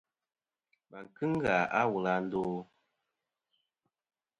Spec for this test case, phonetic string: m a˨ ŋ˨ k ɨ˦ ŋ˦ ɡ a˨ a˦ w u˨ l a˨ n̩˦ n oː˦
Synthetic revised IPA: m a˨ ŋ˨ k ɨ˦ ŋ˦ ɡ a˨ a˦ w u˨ l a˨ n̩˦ d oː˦